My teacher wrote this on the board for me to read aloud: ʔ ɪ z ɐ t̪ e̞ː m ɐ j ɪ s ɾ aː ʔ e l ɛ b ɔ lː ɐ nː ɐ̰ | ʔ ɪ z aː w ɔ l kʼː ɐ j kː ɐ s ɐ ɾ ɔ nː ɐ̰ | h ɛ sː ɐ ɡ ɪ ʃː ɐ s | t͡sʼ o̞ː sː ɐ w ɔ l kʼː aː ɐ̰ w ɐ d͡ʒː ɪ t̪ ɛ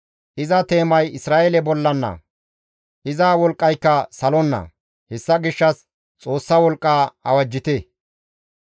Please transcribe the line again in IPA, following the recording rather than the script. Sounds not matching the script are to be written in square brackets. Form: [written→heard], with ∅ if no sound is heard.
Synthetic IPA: ʔ ɪ z ɐ t̪ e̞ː m ɐ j ɪ s ɾ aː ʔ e l ɛ b ɔ lː ɐ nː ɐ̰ | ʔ ɪ z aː w ɔ l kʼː ɐ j kː ɐ s ɐ [ɾ→l] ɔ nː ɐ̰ | h ɛ sː ɐ ɡ ɪ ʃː ɐ s | t͡sʼ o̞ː sː ɐ w ɔ l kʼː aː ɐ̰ w ɐ d͡ʒː ɪ t̪ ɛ